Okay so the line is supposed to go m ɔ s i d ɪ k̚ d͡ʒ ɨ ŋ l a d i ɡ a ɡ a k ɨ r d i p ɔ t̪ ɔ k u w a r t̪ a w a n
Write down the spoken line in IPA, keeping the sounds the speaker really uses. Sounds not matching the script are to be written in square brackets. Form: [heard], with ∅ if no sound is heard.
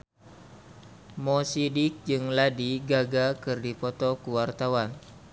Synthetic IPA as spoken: m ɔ s i d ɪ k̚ d͡ʒ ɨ ŋ l a d i ɡ a ɡ a k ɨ r d i p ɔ t̪ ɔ k u w a r t̪ a w a n